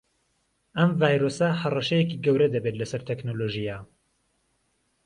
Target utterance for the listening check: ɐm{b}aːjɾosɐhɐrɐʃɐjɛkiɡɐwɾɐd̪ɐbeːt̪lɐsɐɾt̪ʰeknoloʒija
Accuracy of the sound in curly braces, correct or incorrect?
incorrect: v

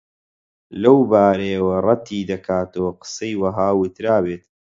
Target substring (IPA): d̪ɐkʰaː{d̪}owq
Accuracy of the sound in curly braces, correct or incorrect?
incorrect: t̪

